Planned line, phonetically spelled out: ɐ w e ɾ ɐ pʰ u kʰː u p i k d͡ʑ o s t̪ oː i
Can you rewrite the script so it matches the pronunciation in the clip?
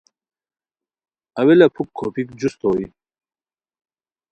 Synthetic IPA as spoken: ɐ w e l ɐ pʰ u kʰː o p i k d͡ʑ u s t̪ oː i